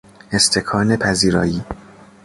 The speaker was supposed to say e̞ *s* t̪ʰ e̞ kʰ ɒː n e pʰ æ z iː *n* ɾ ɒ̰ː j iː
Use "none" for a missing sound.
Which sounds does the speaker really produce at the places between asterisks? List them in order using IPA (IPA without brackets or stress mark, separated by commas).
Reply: s, none